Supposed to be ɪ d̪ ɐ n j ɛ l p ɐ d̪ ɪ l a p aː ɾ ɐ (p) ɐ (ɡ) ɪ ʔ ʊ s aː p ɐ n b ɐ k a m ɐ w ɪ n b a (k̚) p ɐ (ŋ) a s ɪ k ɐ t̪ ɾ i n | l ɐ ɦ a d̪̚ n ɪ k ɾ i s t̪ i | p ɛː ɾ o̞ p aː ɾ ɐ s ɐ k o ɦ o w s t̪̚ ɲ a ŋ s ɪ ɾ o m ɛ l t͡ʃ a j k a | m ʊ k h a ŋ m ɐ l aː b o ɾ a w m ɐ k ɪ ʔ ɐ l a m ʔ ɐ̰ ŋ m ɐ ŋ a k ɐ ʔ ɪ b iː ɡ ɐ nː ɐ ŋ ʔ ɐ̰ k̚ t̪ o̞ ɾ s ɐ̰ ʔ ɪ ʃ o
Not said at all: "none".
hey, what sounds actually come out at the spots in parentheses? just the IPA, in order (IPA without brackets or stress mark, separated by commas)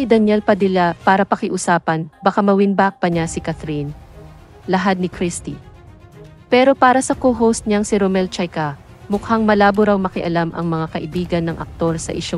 p, k, k̚, ɲ